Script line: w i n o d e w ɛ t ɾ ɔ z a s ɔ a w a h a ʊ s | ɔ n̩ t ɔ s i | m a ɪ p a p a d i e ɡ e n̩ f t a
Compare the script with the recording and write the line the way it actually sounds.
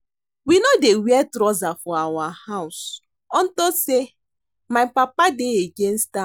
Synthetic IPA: w i n o d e w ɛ t ɾ ɔ z a f ɔ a w a h a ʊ s | ɔ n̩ t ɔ s e | m a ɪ p a p a d e e ɡ e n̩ s t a